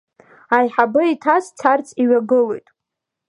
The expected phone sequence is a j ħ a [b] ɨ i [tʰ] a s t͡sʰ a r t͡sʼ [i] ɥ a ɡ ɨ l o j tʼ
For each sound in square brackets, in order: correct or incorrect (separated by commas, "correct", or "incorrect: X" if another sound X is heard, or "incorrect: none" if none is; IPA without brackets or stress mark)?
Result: correct, correct, correct